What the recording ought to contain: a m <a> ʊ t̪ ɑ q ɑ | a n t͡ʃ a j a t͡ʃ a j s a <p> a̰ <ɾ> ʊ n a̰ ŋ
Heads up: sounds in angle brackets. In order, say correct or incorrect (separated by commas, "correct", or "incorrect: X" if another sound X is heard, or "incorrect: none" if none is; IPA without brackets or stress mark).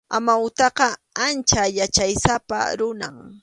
correct, correct, correct